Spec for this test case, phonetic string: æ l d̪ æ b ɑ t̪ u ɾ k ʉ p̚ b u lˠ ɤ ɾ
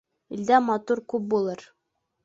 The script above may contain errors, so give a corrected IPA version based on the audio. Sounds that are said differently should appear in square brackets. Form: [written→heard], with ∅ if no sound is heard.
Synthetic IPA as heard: [æ→i] l d̪ æ [b→m] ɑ t̪ u ɾ k ʉ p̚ b u lˠ ɤ ɾ